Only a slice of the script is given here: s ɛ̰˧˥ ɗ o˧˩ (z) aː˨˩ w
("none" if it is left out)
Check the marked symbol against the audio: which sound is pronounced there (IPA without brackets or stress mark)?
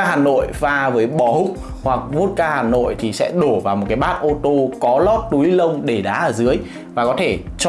v